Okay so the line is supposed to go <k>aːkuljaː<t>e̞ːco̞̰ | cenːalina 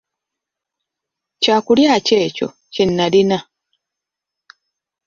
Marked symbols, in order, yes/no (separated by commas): no, no